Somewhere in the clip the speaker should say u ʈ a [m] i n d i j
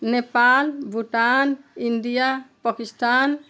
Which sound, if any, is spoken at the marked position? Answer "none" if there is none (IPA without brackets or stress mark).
n